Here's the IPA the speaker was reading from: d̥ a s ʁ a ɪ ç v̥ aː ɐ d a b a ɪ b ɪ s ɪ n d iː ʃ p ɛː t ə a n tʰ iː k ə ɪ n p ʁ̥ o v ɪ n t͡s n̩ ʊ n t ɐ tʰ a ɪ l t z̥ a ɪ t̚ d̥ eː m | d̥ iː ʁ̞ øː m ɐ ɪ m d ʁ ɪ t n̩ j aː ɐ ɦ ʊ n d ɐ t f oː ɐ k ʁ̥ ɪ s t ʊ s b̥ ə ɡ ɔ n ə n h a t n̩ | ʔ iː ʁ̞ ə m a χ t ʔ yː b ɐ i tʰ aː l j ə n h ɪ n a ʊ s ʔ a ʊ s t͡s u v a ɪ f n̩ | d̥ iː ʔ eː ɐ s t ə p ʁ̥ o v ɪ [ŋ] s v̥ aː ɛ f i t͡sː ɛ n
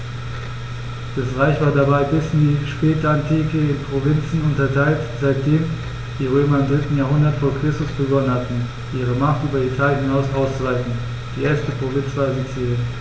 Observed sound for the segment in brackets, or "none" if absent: n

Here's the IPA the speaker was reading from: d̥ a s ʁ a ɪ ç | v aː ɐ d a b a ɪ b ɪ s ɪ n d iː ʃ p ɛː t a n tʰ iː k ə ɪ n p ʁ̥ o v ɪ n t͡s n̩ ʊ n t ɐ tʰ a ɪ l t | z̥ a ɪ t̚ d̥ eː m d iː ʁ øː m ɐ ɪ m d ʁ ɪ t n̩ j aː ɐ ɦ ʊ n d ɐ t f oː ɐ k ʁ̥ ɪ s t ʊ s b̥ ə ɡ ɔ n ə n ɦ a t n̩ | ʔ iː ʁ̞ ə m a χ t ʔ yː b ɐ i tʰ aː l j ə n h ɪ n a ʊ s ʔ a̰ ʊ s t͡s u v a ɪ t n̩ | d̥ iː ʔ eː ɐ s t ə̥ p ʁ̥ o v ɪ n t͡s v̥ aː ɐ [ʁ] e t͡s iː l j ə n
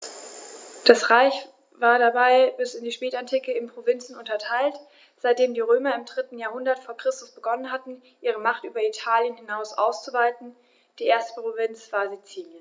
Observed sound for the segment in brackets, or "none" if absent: z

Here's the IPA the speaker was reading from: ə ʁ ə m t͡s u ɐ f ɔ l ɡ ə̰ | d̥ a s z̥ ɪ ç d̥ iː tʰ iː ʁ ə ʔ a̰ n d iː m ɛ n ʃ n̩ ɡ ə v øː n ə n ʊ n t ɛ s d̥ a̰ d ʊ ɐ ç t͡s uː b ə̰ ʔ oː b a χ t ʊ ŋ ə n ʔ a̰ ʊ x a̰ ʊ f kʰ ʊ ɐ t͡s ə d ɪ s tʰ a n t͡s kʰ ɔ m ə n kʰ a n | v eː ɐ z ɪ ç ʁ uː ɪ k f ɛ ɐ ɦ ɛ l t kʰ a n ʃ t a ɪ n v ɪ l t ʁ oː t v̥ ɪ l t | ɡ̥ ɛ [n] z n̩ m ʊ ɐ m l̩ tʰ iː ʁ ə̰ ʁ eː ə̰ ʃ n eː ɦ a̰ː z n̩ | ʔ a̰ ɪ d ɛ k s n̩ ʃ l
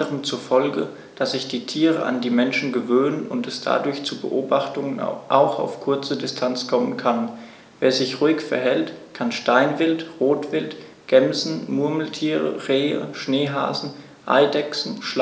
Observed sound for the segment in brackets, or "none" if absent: m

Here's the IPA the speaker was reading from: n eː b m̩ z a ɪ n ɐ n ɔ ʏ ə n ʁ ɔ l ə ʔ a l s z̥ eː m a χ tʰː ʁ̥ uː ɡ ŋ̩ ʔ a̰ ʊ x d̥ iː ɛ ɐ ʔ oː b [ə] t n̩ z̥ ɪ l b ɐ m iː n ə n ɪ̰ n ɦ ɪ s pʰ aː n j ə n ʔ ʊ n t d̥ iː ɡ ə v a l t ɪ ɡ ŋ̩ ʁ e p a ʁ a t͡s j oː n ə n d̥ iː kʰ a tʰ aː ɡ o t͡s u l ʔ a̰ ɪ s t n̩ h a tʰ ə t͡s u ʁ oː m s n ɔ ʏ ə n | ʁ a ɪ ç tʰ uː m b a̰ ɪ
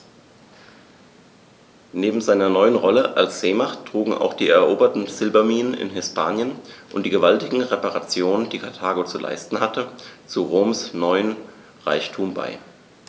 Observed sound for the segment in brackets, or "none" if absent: ɐ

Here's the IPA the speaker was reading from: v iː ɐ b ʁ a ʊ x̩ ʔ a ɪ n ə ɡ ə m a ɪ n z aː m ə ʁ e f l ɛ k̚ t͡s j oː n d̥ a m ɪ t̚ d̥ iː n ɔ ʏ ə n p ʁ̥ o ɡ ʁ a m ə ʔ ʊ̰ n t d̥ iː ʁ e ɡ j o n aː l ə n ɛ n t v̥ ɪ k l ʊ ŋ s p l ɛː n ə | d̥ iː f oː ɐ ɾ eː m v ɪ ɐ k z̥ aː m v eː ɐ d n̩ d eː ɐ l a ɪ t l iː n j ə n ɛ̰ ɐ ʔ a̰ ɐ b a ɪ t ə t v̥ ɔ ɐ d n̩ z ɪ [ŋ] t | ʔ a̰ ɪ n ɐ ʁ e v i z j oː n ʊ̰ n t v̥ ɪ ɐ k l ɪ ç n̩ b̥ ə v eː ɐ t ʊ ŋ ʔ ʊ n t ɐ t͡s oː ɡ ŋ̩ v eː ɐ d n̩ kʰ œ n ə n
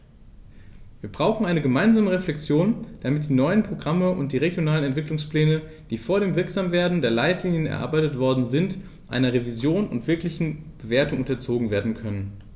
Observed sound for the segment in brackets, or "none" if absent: n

